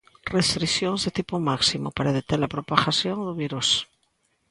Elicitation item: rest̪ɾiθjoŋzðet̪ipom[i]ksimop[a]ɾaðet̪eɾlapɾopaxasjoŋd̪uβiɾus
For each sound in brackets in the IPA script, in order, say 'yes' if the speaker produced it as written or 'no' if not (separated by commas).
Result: no, yes